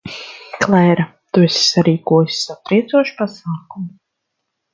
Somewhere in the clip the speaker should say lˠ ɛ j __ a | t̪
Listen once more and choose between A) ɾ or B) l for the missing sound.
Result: A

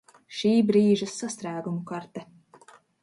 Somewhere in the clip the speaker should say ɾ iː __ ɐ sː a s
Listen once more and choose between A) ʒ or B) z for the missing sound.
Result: A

